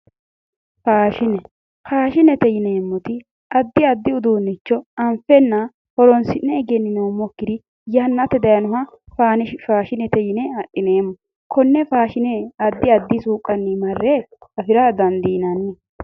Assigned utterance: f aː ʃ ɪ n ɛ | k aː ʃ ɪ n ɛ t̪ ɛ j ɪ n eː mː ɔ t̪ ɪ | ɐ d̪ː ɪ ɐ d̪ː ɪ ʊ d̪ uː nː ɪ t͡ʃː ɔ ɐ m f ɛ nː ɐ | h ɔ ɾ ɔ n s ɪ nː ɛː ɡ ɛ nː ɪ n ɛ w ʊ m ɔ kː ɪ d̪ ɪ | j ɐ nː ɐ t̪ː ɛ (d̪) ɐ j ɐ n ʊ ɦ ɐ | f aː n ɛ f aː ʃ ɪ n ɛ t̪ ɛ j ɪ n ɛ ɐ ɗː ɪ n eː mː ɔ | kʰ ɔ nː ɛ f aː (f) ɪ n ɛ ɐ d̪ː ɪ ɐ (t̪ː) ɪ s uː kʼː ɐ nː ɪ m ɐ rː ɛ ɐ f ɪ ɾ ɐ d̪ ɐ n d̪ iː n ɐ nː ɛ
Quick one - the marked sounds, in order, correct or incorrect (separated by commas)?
correct, incorrect, incorrect